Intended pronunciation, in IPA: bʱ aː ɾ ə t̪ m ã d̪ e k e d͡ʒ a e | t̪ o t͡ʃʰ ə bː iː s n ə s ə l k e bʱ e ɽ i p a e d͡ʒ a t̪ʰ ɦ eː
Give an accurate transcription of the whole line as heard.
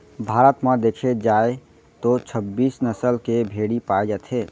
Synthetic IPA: bʱ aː ɾ ə t̪ m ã d̪ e kʰ e d͡ʒ a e | t̪ o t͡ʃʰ ə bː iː s n ə s ə l k e bʱ e ɽ i p a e d͡ʒ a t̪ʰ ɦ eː